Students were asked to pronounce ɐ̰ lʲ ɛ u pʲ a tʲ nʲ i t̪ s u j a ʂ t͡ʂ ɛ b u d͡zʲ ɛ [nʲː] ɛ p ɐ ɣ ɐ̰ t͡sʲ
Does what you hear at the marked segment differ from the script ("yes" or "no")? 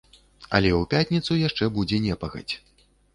yes